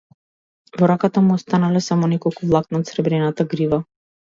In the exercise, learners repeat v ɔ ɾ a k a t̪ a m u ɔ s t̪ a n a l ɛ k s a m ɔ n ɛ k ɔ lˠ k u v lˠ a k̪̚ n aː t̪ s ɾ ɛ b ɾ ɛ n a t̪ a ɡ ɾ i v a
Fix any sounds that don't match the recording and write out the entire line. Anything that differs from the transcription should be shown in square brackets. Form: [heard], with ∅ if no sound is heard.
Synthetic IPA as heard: v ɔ ɾ a k a t̪ a m u ɔ s t̪ a n a l ɛ [∅] s a m ɔ n ɛ k ɔ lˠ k u v lˠ a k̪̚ n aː t̪ s ɾ ɛ b ɾ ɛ n a t̪ a ɡ ɾ i v a

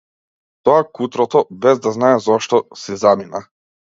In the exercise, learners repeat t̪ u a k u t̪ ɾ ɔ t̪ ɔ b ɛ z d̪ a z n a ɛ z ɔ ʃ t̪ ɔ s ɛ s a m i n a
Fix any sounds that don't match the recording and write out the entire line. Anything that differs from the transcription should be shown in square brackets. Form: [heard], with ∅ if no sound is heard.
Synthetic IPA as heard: t̪ [ɔ] a k u t̪ ɾ ɔ t̪ ɔ b ɛ z d̪ a z n a ɛ z ɔ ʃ t̪ ɔ s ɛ [z] a m i n a

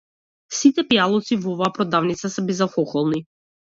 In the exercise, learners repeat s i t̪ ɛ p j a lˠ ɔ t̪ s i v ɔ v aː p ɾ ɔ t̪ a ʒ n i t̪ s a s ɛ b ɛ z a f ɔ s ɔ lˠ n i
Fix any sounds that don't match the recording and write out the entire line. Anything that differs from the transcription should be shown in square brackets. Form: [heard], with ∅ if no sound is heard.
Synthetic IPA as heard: s i t̪ ɛ p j a lˠ ɔ t̪ s i v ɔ v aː p ɾ ɔ [d̪] a [v] n i t̪ s a s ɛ b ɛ z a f ɔ [x] ɔ lˠ n i

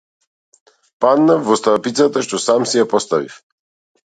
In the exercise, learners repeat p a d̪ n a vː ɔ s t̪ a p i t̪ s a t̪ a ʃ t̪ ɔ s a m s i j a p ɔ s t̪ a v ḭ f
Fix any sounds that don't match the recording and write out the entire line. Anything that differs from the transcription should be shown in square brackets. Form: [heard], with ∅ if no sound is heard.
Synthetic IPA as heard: p a d̪ n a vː ɔ s t̪ a p i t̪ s a t̪ a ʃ t̪ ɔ s a m s i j a p ɔ s t̪ a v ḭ f

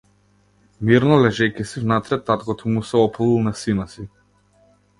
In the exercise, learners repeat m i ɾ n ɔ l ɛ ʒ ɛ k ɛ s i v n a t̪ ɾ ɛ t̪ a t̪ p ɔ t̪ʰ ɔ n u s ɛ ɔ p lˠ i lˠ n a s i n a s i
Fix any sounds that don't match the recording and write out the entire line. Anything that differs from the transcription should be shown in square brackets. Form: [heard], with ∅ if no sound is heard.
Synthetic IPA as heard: m i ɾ n ɔ l ɛ ʒ ɛ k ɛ s i v n a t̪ ɾ ɛ t̪ a t̪ [k] ɔ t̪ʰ ɔ [m] u s ɛ ɔ p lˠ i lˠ n a s i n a s i

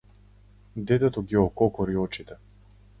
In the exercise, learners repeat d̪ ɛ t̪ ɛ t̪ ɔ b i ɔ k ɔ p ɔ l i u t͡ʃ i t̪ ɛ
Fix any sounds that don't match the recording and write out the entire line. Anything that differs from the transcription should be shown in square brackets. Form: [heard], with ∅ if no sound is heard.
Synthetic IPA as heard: d̪ ɛ t̪ ɛ t̪ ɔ [ɡ] i ɔ k ɔ [k] ɔ [ɾ] i [ɔ] t͡ʃ i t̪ ɛ

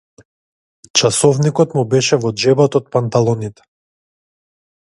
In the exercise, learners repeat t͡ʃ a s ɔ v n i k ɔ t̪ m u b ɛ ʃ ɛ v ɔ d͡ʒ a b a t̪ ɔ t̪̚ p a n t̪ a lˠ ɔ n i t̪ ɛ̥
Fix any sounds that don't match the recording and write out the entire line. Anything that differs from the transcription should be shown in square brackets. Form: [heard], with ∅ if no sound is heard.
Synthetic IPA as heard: t͡ʃ a s ɔ v n i k ɔ t̪ m u b ɛ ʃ ɛ v ɔ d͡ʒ [ɛ] b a t̪ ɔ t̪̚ p a n t̪ a lˠ ɔ n i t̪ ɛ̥

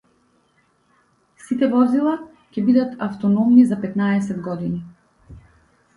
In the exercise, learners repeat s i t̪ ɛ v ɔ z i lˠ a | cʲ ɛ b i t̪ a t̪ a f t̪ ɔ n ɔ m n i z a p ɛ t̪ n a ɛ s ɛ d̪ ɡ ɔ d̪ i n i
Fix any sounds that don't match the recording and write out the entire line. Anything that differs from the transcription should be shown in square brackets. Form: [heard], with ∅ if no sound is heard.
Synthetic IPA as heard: s i t̪ ɛ v ɔ z i lˠ a | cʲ ɛ b i [d̪] a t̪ a f t̪ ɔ n ɔ m n i z a p ɛ t̪ n a ɛ s ɛ d̪ ɡ ɔ d̪ i n i

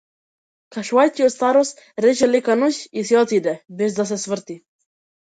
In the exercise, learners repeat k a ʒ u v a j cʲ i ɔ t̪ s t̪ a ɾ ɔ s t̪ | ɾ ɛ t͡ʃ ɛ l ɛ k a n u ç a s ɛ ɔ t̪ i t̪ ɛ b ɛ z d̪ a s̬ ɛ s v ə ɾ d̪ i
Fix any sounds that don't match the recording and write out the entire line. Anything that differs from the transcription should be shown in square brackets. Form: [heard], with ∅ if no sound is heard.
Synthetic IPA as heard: k a [ʃ] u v a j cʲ i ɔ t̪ s t̪ a ɾ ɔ s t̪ | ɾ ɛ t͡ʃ ɛ l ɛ k a n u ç [i] s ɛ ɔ t̪ i [d̪] ɛ b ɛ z d̪ a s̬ ɛ s v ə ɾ [t̪] i

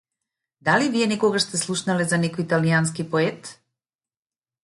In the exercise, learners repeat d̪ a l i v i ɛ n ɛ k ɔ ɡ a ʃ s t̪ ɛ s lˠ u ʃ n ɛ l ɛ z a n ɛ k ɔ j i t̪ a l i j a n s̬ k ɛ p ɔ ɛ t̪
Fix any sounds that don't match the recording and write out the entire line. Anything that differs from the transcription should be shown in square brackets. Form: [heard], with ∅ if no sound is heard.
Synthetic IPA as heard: d̪ a l i v i ɛ n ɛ k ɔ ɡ a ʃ s t̪ ɛ s lˠ u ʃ n [a] l ɛ z a n ɛ k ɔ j i t̪ a l i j a n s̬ k [i] p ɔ ɛ t̪

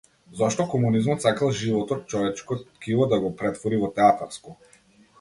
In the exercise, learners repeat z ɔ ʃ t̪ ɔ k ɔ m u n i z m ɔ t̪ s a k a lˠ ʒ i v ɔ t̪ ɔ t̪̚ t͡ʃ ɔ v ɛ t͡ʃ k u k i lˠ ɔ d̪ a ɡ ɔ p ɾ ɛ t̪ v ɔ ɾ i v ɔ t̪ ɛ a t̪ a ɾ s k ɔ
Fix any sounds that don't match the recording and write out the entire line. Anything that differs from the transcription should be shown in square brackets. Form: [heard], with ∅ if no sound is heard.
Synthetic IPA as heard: z ɔ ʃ t̪ ɔ k ɔ m u n i z m ɔ t̪ s a k a lˠ ʒ i v ɔ t̪ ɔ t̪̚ t͡ʃ ɔ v ɛ t͡ʃ k [ɔ] k i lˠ ɔ d̪ a ɡ ɔ p ɾ ɛ t̪ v ɔ ɾ i v ɔ t̪ ɛ a t̪ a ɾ s k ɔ

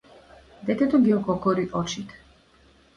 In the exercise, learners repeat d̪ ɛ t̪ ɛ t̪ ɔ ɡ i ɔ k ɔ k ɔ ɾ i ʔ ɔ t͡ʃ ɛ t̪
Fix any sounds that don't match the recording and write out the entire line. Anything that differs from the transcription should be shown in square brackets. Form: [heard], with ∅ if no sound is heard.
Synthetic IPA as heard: d̪ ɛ t̪ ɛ t̪ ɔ ɡ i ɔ k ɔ k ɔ ɾ i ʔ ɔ t͡ʃ [i] t̪

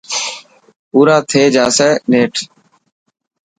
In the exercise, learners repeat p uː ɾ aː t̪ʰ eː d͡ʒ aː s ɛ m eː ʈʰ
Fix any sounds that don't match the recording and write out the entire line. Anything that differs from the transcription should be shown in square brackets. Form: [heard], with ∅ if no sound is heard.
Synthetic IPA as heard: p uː ɾ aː t̪ʰ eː d͡ʒ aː s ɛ [n] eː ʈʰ

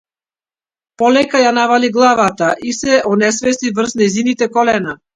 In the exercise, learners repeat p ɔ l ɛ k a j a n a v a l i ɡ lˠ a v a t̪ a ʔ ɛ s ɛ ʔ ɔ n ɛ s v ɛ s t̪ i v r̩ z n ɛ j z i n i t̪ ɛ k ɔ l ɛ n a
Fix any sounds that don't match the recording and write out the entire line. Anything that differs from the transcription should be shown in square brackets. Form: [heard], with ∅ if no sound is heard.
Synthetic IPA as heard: p ɔ l ɛ k a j a n a v a l i ɡ lˠ a v a t̪ a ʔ [i] s ɛ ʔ ɔ n ɛ s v ɛ s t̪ i v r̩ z n ɛ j z i n i t̪ ɛ k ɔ l ɛ n a

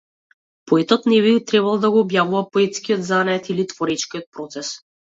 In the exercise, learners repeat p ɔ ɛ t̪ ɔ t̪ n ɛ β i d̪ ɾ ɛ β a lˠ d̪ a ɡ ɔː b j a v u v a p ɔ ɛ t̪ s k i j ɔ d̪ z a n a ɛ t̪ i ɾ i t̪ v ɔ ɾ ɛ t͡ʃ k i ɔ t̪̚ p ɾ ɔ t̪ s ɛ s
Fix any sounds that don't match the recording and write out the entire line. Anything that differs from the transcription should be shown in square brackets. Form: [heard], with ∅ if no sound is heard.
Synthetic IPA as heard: p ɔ ɛ t̪ ɔ t̪ n ɛ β i [t̪] ɾ ɛ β a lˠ d̪ a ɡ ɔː b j a v u v a p ɔ ɛ t̪ s k i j ɔ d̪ z a n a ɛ t̪ i [l] i t̪ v ɔ ɾ ɛ t͡ʃ k i ɔ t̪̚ p ɾ ɔ t̪ s ɛ s

